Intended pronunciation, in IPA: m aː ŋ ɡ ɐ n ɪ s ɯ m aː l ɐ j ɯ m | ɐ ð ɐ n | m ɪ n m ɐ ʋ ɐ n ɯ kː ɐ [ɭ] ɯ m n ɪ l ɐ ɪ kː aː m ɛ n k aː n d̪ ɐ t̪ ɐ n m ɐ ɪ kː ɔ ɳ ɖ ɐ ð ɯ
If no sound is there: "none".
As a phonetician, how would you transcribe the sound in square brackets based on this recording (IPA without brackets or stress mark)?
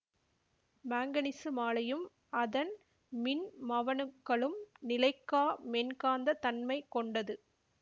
ɭ